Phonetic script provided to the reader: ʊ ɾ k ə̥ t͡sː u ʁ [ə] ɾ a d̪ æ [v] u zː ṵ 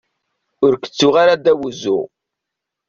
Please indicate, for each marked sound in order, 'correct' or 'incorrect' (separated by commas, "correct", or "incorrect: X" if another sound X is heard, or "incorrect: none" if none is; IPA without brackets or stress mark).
incorrect: a, incorrect: w